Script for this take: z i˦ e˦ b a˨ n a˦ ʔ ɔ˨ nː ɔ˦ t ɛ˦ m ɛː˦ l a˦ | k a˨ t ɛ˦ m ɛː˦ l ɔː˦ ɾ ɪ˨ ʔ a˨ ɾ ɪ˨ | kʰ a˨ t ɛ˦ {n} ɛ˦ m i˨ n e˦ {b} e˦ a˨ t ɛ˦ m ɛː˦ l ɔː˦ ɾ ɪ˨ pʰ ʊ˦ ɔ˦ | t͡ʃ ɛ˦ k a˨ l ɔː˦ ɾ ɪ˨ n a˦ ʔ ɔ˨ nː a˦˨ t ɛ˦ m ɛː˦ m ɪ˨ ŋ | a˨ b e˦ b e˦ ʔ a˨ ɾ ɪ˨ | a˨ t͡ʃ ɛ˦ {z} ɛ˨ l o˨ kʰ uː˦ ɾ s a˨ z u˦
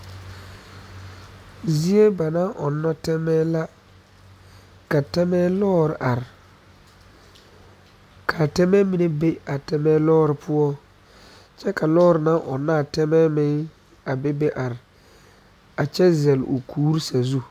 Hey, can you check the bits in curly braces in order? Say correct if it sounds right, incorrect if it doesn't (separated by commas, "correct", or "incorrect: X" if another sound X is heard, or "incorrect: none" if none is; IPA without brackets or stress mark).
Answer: incorrect: m, correct, correct